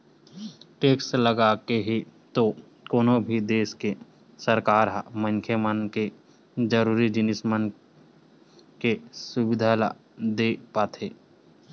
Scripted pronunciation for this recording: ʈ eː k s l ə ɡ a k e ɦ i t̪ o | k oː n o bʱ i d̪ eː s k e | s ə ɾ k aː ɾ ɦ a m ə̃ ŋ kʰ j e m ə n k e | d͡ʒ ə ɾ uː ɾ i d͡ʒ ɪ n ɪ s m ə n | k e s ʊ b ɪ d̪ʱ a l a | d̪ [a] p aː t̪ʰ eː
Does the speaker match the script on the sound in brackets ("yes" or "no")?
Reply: no